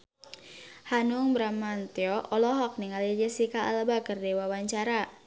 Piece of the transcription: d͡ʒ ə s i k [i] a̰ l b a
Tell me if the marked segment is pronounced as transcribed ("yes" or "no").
no